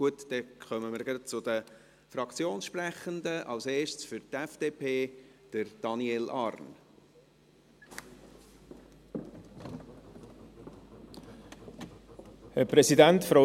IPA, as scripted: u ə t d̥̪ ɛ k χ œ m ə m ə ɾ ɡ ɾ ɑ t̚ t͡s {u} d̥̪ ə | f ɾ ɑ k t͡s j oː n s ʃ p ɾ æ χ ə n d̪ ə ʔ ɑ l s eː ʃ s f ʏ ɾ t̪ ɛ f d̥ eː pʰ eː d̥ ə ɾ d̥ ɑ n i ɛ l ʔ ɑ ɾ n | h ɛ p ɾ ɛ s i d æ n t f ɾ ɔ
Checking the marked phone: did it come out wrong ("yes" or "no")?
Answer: yes